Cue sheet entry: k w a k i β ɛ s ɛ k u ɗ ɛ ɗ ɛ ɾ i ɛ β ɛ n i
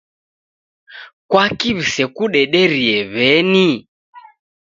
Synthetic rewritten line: k w a k i β i s ɛ k u ɗ ɛ ɗ ɛ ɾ i ɛ β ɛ n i